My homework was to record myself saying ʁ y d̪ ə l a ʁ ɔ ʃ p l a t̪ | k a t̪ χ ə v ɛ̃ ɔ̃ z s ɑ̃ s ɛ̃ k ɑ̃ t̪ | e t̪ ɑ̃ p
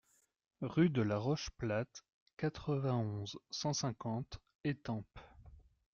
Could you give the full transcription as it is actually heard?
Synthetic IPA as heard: ʁ y d̪ ə l a ʁ ɔ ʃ p l a t̪ | k a t̪ χ ə v ɛ̃ ɔ̃ z s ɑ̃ s ɛ̃ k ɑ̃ t̪ | e t̪ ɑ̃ p